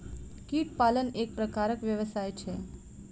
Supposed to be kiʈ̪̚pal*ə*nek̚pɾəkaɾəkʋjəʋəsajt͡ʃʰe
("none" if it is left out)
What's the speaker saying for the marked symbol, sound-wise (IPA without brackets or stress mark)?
ə